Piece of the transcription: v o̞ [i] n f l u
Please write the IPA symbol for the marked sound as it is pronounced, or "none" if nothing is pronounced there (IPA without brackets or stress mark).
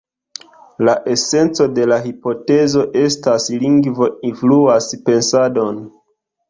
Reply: i